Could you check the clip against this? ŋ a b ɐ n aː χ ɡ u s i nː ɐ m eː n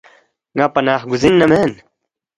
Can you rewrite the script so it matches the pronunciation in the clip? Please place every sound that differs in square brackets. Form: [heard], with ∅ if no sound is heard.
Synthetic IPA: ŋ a [p] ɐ n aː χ ɡ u [z] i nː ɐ m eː n